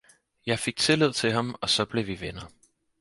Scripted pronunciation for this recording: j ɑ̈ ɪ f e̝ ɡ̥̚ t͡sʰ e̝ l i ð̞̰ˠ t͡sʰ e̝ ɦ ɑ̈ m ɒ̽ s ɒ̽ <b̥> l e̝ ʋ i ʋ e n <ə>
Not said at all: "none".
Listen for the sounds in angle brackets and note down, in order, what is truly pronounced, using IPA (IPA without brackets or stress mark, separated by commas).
b̥, ɐ